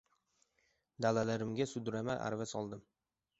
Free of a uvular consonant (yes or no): yes